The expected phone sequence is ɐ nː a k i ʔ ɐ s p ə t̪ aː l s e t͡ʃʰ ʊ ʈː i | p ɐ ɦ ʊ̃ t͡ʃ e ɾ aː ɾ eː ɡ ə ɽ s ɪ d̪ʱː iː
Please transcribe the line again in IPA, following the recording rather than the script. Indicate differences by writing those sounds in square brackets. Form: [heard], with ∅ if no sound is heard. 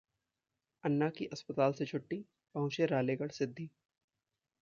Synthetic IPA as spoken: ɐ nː a k i ʔ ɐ s p ə t̪ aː l s e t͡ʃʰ ʊ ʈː i | p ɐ ɦ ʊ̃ t͡ʃ e ɾ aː [l] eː ɡ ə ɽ s ɪ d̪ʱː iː